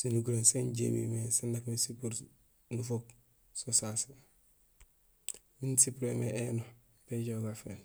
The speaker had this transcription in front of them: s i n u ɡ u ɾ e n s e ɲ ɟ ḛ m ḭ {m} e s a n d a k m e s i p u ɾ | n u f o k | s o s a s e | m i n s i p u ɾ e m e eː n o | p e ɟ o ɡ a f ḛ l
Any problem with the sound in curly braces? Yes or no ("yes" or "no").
no